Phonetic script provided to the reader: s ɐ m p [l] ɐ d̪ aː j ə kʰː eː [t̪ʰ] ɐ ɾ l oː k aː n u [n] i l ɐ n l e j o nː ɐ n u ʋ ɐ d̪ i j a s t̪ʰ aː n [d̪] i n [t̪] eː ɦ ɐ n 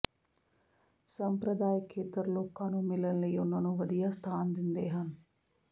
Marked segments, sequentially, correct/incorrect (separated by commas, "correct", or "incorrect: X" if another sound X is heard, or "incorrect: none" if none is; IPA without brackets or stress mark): incorrect: ɾ, incorrect: t̪, incorrect: m, correct, incorrect: d̪